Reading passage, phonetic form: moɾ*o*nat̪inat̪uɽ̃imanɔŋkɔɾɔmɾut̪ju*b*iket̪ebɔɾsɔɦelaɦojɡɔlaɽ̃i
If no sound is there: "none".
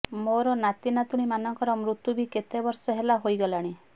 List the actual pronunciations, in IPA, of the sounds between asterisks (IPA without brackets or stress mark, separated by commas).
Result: ɔ, b